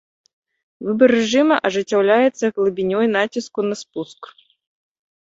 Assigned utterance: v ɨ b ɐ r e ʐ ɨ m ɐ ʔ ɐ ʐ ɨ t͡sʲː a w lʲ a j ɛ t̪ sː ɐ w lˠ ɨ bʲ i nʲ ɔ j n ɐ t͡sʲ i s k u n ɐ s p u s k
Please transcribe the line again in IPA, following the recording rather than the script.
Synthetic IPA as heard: v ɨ b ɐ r ɛ ʐ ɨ m ɐ ʔ ɐ ʐ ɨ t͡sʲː a w lʲ a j ɛ t̪ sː ɐ ɣ lˠ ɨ bʲ i nʲ ɔ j n a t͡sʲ i s k u n ɐ s p u s k

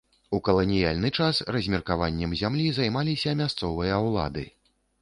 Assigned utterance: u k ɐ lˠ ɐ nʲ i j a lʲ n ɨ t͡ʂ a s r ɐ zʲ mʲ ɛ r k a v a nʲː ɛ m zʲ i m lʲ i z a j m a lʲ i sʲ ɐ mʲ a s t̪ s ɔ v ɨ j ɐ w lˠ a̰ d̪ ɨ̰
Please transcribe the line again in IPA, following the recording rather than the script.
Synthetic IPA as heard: u k ɐ lˠ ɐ nʲ i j a lʲ n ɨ t͡ʂ a s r ɐ zʲ mʲ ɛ r k a v a nʲː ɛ m zʲ a m lʲ i z a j m a lʲ i sʲ ɐ mʲ a s t̪ s ɔ v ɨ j ɐ w lˠ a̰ d̪ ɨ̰

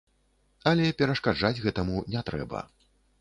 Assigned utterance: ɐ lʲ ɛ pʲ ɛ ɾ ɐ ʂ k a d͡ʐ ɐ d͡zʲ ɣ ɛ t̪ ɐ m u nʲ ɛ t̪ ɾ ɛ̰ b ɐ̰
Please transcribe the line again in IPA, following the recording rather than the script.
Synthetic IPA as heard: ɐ lʲ ɛ pʲ ɛ ɾ ɐ ʂ k a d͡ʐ a d͡zʲ ɣ ɛ t̪ ɐ m u nʲ ɛ t̪ ɾ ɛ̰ b ɐ̰

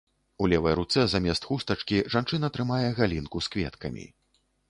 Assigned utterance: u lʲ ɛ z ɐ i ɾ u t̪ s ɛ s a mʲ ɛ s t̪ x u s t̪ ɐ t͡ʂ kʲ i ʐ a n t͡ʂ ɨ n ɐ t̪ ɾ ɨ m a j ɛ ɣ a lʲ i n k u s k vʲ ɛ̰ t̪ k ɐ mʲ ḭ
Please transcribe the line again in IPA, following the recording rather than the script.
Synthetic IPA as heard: u lʲ ɛ v ɐ j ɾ u t̪ s ɛ z a mʲ ɛ s t̪ x u s t̪ ɐ t͡ʂ kʲ i ʐ a n t͡ʂ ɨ n ɐ t̪ ɾ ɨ m a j ɛ ɣ a lʲ i n k u s k vʲ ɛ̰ t̪ k ɐ mʲ ḭ

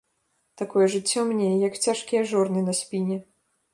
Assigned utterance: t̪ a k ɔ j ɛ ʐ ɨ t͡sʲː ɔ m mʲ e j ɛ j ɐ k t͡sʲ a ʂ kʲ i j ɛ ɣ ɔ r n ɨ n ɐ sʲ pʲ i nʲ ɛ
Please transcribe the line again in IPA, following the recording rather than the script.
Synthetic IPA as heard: t̪ a k ɔ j ɛ ʐ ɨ t͡sʲː ɔ m nʲ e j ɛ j ɐ k t͡sʲ a ʂ kʲ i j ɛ ʐ ɔ r n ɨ n ɐ sʲ pʲ i nʲ ɛ

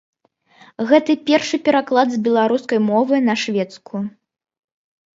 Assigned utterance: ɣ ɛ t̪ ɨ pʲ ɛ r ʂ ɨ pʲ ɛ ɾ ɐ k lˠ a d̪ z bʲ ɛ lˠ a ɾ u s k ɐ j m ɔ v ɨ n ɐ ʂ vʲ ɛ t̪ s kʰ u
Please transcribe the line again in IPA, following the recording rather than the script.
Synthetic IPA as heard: ɣ ɛ t̪ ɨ pʲ ɛ r ʂ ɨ pʲ ɛ ɾ a k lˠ a d̪ z bʲ ɛ lˠ a ɾ u s k ɐ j m ɔ v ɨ n ɐ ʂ vʲ ɛ t̪ s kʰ u

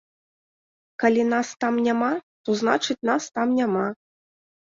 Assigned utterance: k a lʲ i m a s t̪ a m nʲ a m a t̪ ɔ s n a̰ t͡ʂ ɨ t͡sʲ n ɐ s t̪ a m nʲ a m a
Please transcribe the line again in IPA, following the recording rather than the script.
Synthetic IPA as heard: k a lʲ i n a s t̪ a m nʲ a m a t̪ ɔ z n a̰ t͡ʂ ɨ t͡sʲ n a s t̪ a m nʲ a m a

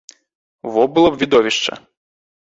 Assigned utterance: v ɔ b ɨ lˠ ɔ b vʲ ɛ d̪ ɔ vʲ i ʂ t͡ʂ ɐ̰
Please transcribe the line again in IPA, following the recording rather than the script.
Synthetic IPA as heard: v ɔ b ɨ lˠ ɔ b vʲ i d̪ ɔ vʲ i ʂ t͡ʂ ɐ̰

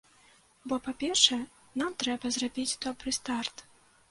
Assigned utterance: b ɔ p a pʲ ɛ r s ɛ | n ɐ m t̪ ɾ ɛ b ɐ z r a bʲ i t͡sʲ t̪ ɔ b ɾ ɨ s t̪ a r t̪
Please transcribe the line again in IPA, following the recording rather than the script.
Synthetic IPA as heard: b ɔ p a pʲ ɛ r ʂ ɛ | n a m t̪ ɾ ɛ b ɐ z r a bʲ i t͡sʲ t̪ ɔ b ɾ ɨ s t̪ a r t̪

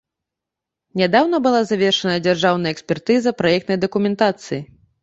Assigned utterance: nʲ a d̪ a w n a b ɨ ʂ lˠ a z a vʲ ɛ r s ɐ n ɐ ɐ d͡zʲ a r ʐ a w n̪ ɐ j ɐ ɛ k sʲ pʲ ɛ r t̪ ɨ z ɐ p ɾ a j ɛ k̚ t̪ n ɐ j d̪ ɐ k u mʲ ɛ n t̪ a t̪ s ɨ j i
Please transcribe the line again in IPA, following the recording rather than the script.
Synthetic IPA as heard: nʲ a d̪ a w n ɐ b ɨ lˠ a z a vʲ ɛ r ʂ ɐ n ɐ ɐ d͡zʲ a r ʐ a w n̪ ɐ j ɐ ɛ k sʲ pʲ ɛ r t̪ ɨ z ɐ p ɾ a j ɛ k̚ t̪ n ɐ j d̪ ɐ k u mʲ ɛ n t̪ a t̪ s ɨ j i

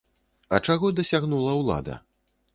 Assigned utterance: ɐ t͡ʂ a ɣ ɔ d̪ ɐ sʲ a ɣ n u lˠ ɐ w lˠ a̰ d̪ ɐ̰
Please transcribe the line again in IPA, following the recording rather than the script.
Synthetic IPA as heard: ɐ t͡ʂ a ɣ ɔ d̪ ɐ sʲ a ɣ n u lˠ ɐ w lˠ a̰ d̪ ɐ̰

